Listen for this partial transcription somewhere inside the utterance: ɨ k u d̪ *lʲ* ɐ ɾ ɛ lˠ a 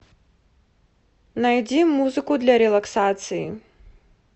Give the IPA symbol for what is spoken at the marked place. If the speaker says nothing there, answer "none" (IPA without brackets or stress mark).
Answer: lʲ